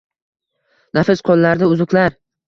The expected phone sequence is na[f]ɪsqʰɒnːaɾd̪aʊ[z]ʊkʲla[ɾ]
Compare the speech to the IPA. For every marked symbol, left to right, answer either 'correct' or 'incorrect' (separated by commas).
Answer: correct, correct, correct